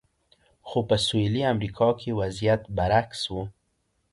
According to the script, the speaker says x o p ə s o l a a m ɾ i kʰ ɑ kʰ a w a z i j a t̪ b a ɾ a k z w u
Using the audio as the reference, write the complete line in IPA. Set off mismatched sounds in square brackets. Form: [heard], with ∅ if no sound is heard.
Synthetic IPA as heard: x o p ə s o l [i] a m ɾ i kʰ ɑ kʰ [e] w a z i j a t̪ b a ɾ a k [s] w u